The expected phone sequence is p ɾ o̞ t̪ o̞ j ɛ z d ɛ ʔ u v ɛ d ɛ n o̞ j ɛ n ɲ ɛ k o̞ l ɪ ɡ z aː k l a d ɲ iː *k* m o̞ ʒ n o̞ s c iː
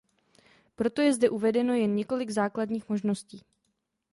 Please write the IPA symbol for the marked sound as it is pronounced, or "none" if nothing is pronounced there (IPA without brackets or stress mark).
x